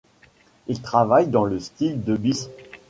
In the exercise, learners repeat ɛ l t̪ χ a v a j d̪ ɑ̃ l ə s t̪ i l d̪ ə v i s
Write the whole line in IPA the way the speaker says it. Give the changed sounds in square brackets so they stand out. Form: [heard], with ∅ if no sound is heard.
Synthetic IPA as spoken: [i] l t̪ χ a v a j d̪ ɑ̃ l ə s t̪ i l d̪ ə [b] i s